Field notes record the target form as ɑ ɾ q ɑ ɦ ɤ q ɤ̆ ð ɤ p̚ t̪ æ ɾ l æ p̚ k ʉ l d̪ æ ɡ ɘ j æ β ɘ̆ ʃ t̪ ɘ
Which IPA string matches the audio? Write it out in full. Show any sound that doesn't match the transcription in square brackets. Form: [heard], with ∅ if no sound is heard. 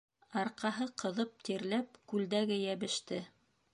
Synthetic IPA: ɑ ɾ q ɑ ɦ ɤ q ɤ̆ ð ɤ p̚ t̪ [i] ɾ l æ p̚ k ʉ l d̪ æ ɡ ɘ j æ β ɘ̆ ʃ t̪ ɘ

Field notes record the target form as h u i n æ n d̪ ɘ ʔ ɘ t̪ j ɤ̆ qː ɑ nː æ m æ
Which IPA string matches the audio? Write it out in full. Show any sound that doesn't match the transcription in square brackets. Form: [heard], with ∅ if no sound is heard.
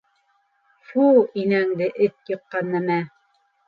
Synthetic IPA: [f] u i n æ [ŋ] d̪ ɘ ʔ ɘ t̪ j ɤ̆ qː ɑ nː æ m æ

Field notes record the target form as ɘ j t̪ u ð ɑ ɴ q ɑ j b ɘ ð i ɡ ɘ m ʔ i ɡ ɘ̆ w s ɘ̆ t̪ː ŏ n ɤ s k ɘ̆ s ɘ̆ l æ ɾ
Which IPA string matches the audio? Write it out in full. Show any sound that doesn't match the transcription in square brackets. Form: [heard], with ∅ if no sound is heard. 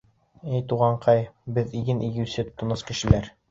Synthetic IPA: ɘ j t̪ u [ʁ] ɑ ɴ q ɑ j b ɘ ð i ɡ ɘ [n] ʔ i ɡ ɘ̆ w s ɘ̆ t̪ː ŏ n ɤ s k ɘ̆ [ʃ] ɘ̆ l æ ɾ

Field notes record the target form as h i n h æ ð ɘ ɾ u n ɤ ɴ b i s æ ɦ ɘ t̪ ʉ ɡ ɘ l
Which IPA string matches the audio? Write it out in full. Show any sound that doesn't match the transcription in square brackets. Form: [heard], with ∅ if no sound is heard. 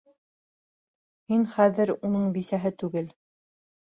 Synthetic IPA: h i n [χ] æ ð ɘ ɾ u n ɤ ɴ b i s æ ɦ ɘ t̪ ʉ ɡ ɘ l

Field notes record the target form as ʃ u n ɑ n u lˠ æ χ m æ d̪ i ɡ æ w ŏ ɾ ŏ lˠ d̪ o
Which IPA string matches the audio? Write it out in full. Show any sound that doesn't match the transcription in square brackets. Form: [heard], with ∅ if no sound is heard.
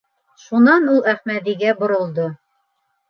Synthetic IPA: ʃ u n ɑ n u lˠ æ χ m æ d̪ i ɡ æ [b] ŏ ɾ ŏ lˠ d̪ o

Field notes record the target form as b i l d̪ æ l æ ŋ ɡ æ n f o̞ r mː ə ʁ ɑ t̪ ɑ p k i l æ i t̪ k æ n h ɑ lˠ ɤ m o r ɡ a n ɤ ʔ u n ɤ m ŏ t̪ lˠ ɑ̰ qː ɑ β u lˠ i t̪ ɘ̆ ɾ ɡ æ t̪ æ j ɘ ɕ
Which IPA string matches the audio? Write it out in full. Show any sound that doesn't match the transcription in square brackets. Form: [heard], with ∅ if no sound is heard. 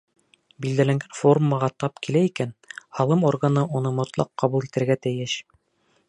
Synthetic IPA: b i l d̪ æ l æ ŋ ɡ æ n f o̞ r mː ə ʁ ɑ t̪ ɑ p k i l æ i [∅] k æ n h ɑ lˠ ɤ m o r ɡ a n ɤ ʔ u n ɤ m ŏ t̪ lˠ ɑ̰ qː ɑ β u lˠ i t̪ ɘ̆ ɾ ɡ æ t̪ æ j ɘ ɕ

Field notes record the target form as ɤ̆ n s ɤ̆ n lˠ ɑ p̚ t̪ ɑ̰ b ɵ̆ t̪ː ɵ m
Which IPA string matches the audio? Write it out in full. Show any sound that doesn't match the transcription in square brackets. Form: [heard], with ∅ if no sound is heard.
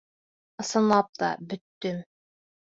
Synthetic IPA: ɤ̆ [∅] s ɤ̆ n lˠ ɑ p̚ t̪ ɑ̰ b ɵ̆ t̪ː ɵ m

